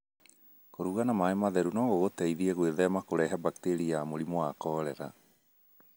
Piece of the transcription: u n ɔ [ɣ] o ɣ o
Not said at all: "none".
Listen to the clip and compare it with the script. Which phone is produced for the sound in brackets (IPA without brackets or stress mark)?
ɣ